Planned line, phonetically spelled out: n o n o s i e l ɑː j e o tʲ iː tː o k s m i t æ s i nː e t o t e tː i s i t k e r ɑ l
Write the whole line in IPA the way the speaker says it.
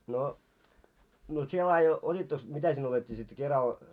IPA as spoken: n o n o s i e l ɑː j e o tʲ i tː o k s m i t æ s i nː e o t e tː iː s i t k e r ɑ l